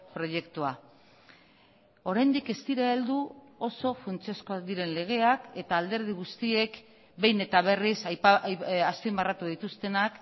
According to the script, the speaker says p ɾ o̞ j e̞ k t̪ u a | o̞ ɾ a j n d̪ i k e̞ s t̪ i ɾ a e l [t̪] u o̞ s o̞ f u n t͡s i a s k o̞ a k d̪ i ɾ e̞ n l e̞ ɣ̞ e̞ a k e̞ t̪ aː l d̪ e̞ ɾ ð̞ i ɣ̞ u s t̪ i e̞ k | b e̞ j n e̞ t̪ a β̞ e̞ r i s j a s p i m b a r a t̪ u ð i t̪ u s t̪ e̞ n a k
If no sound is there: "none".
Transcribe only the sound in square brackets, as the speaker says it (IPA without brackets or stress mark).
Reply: d̪